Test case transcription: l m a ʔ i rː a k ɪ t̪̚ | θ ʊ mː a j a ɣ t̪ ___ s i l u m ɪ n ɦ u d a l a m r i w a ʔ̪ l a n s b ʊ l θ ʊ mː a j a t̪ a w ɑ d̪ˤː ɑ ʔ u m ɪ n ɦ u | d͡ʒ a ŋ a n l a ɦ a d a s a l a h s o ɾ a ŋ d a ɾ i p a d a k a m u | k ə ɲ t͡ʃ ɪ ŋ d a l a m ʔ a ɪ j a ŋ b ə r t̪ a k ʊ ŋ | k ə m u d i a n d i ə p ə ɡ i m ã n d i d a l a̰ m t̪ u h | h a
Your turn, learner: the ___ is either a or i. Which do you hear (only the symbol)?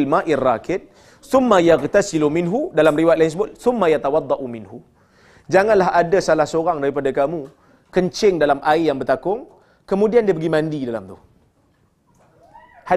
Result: a